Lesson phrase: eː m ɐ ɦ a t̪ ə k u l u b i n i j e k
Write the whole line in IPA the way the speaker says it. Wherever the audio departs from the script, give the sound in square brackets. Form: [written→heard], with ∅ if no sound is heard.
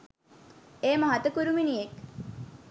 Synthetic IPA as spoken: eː m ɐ ɦ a t̪ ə k u [l→ɾ] u [b→m] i n i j e k